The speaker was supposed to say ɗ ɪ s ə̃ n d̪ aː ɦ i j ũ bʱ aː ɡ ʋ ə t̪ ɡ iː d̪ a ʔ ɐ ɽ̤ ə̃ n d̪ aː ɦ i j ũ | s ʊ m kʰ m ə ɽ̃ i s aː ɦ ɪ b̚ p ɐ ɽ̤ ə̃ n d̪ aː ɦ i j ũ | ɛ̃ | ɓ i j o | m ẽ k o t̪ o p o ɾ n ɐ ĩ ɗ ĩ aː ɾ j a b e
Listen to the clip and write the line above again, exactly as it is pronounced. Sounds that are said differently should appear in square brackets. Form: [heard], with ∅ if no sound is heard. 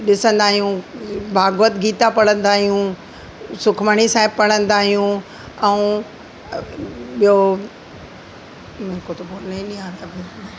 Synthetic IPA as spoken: ɗ ɪ s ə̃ n d̪ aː ɦ i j ũ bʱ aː ɡ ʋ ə t̪ ɡ iː [t̪] a [p] ɐ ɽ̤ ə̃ n d̪ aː ɦ i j ũ | s ʊ [∅] kʰ m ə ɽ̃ i s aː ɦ ɪ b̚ p ɐ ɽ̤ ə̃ n d̪ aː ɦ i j ũ | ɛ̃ | ɓ i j o | m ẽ k o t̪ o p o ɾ n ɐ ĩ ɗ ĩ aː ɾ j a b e